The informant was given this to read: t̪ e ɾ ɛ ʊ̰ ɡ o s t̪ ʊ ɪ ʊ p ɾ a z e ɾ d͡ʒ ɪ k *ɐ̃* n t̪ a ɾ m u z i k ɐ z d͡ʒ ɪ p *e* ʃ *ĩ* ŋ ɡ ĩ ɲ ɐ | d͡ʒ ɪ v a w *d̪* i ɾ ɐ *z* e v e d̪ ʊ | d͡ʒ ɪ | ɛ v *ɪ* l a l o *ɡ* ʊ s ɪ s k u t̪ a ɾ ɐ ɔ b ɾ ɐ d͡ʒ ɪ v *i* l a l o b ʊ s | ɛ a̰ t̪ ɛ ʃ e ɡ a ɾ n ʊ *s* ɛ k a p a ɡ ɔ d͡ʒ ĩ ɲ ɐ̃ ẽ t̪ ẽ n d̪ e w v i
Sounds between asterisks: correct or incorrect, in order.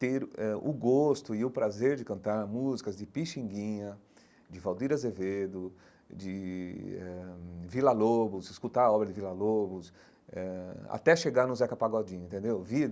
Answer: correct, incorrect, correct, correct, correct, incorrect, incorrect, correct, incorrect

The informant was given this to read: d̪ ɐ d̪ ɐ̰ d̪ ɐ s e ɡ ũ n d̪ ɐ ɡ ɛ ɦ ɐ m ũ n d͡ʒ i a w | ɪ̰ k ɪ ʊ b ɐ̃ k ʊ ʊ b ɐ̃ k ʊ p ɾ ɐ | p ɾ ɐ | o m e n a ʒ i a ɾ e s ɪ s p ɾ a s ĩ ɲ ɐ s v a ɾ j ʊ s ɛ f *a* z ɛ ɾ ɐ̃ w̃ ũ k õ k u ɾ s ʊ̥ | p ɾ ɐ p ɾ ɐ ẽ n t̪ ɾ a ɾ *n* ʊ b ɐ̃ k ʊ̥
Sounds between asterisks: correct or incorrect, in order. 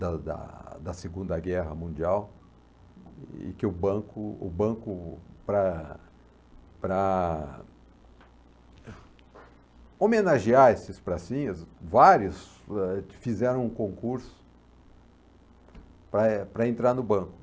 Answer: incorrect, correct

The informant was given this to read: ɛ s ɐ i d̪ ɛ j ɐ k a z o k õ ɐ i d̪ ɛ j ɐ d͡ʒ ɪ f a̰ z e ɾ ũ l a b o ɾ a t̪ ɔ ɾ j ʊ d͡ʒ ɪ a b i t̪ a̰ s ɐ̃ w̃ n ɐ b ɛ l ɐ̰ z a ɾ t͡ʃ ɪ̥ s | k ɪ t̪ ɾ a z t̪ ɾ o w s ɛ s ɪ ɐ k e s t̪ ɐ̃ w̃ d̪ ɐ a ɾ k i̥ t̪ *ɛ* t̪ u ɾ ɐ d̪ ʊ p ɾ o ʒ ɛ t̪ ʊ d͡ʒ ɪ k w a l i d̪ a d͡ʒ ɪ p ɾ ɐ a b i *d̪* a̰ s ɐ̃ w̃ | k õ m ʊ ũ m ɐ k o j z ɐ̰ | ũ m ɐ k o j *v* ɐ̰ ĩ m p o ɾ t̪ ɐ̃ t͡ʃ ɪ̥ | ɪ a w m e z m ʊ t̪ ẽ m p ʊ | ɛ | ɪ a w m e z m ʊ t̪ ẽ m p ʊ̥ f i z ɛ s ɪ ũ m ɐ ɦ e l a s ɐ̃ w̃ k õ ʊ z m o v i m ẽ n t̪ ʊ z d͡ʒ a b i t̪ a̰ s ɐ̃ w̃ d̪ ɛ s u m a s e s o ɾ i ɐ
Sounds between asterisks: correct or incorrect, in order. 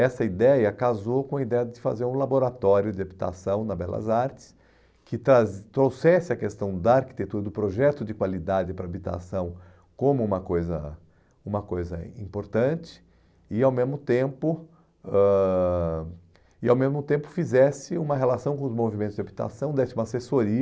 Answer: incorrect, incorrect, incorrect

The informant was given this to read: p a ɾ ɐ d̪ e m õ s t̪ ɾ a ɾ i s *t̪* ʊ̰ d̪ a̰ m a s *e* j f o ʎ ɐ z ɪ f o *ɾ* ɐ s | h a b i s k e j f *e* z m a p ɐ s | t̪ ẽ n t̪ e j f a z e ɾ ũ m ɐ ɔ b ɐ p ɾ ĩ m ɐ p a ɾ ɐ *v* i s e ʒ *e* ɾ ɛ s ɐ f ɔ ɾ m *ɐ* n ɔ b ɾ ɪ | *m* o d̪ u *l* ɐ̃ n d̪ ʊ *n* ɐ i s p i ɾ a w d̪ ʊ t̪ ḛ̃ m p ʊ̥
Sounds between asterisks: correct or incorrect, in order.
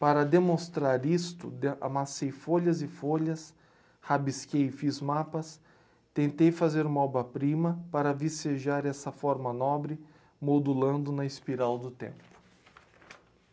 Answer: correct, correct, incorrect, incorrect, correct, incorrect, correct, correct, correct, correct

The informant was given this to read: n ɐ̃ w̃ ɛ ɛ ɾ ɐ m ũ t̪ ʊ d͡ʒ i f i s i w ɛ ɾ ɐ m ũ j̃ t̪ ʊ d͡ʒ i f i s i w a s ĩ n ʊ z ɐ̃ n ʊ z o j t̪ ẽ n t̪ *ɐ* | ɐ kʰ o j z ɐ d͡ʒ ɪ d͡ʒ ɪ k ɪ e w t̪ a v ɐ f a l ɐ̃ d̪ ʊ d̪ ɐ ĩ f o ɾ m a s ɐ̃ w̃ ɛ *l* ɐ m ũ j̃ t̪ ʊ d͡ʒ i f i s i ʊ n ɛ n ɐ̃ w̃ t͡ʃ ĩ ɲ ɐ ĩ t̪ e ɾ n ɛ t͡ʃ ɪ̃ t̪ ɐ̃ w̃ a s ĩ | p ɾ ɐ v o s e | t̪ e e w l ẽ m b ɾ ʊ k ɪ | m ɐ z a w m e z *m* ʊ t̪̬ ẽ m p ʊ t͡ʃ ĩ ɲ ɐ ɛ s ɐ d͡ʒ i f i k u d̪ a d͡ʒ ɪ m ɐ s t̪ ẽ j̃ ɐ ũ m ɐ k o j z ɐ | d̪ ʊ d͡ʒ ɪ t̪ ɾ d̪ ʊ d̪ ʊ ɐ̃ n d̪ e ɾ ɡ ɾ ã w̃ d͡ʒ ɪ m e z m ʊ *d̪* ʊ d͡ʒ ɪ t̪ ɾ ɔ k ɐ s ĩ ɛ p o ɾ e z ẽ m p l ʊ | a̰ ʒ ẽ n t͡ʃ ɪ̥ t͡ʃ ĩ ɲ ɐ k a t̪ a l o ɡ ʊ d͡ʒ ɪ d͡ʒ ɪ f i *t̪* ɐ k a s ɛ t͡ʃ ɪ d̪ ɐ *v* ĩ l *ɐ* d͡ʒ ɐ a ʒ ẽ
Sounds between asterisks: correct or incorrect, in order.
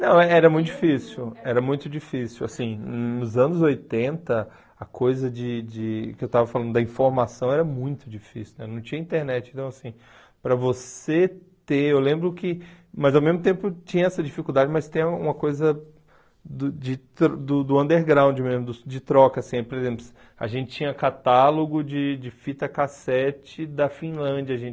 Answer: correct, incorrect, correct, correct, correct, incorrect, incorrect

